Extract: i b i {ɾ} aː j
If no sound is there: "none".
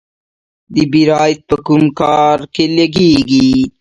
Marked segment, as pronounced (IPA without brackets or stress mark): ɾ